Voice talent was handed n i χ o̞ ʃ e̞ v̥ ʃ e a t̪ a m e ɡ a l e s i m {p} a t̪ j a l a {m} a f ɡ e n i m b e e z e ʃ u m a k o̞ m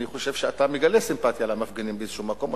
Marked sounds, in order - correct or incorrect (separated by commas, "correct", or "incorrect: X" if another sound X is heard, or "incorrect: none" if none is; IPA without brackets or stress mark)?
correct, correct